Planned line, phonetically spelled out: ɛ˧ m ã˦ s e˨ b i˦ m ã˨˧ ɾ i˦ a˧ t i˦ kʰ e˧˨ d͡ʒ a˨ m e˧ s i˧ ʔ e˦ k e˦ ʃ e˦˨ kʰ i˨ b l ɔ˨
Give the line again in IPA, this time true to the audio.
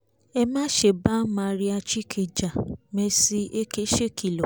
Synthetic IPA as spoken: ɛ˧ m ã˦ ʃ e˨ b a˦ m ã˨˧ ɾ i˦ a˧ t͡ʃ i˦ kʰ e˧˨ d͡ʒ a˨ m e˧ s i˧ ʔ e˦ k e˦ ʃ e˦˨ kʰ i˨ l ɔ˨

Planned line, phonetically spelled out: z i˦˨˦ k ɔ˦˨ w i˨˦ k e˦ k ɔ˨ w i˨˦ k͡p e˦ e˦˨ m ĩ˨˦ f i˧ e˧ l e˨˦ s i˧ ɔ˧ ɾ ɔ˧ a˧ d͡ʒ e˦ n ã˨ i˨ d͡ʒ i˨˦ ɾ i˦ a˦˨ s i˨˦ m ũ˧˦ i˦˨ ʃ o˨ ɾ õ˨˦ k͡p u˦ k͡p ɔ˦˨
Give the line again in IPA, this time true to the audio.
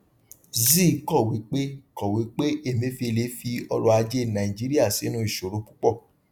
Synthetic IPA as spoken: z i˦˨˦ k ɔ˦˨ w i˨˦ k͡p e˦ k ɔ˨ w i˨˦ k͡p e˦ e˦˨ m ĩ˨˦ f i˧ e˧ l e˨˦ f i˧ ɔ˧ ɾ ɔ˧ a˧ d͡ʒ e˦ n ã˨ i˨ d͡ʒ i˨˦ ɾ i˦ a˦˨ s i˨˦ n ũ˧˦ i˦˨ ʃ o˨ ɾ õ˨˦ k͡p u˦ k͡p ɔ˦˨

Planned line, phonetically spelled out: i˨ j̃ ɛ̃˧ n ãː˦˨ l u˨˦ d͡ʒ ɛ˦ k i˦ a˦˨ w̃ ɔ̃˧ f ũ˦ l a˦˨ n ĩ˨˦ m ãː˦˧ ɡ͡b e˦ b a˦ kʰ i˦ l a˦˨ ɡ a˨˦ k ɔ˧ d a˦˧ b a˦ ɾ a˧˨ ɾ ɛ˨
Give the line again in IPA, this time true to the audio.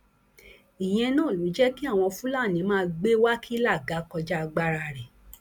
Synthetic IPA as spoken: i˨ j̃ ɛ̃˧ n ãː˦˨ l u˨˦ d͡ʒ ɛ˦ k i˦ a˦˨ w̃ ɔ̃˧ f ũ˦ l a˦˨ n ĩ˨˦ m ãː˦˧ ɡ͡b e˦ w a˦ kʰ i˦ l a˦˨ ɡ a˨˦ k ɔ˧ d͡ʒ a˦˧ ɡ͡b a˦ ɾ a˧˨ ɾ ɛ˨

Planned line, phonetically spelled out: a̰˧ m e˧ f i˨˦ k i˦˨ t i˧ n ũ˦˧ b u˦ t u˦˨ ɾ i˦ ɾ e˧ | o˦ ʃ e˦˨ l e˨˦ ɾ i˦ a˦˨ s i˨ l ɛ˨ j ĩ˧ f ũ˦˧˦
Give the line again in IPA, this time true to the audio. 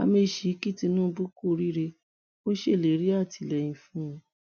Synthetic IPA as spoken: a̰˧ m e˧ ʃ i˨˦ k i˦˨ t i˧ n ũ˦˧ b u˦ k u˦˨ ɾ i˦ ɾ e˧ | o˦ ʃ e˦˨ l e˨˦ ɾ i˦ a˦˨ t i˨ l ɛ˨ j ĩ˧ f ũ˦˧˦

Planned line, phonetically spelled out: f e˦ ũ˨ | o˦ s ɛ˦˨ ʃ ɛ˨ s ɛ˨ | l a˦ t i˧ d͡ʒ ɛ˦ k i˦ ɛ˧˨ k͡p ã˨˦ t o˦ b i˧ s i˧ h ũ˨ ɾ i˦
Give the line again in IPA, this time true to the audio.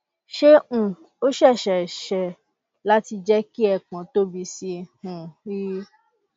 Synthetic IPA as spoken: ʃ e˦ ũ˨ | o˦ ʃ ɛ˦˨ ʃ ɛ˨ ʃ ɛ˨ | l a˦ t i˧ d͡ʒ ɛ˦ k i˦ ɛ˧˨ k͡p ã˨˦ t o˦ b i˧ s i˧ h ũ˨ ɾ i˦

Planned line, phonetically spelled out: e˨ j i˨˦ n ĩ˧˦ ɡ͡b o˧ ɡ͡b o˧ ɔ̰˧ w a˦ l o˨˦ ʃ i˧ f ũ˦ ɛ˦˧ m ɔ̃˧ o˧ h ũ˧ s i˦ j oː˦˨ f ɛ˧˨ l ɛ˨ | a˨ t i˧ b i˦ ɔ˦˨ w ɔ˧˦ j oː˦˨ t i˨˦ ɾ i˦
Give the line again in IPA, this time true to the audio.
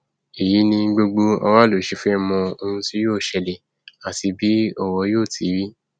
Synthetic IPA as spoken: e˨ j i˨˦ n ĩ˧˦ ɡ͡b o˧ ɡ͡b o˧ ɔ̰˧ w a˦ l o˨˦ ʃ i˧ f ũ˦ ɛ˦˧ m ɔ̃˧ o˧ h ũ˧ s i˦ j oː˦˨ ʃ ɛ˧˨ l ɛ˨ | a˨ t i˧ b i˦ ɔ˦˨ w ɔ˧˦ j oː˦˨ t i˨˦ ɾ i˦

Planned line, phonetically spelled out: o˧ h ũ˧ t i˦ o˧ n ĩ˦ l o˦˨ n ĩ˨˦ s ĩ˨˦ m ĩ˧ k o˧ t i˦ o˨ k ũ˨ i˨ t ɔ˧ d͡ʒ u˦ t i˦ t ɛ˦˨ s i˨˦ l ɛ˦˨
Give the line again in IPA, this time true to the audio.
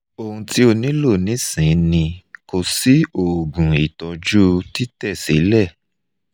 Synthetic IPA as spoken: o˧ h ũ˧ t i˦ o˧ n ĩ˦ l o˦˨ n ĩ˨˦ s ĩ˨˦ n ĩ˧ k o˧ s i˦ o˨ ɡ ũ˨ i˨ t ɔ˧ d͡ʒ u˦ t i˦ t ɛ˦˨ s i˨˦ l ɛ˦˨

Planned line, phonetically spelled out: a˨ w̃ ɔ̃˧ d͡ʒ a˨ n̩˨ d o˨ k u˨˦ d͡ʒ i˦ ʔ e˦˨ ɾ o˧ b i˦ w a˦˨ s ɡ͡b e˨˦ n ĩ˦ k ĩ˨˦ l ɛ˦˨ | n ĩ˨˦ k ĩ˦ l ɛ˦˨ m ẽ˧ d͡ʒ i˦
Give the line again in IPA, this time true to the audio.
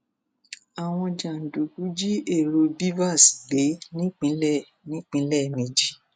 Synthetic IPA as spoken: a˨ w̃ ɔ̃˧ d͡ʒ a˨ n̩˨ d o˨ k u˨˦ d͡ʒ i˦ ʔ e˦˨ ɾ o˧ b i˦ v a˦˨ s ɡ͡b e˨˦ n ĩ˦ k͡p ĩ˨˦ l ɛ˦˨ | n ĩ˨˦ k͡p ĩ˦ l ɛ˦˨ m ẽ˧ d͡ʒ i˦

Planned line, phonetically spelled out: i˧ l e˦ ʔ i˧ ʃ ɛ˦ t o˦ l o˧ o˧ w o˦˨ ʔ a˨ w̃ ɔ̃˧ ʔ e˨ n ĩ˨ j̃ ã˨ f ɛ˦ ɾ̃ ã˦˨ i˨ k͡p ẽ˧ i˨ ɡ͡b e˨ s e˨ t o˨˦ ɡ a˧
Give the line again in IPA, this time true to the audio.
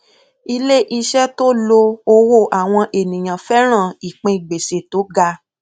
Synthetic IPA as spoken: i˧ l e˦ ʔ i˧ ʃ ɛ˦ t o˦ l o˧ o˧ w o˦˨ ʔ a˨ w̃ ɔ̃˧ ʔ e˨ n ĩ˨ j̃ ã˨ f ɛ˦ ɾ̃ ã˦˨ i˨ k͡p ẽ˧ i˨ ɡ͡b e˨ s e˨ t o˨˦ ɡ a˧

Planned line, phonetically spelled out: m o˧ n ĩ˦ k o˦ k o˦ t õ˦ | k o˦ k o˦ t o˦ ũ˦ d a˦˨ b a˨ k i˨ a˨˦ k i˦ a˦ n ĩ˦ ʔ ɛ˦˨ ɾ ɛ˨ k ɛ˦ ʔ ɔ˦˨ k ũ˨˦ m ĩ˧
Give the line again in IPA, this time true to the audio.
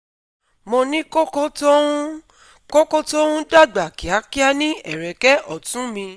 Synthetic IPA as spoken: m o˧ n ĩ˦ k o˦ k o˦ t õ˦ | k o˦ k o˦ t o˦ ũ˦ d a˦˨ ɡ͡b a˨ k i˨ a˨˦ k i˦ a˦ n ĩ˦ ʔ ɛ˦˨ ɾ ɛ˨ k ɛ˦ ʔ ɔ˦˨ t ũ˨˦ m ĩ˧

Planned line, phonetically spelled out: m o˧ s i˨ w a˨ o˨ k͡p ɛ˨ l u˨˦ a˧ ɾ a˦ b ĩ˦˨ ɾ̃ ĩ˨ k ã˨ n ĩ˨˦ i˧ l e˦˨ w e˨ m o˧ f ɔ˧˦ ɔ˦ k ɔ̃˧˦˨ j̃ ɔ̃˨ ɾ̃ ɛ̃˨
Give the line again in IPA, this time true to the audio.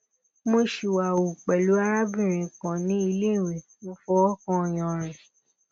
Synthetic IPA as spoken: m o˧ ʃ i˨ w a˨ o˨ k͡p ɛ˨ l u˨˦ a˧ ɾ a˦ b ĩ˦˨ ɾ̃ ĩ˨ k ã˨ n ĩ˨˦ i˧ l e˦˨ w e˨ m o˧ f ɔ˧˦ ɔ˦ k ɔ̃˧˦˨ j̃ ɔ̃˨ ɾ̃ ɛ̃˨

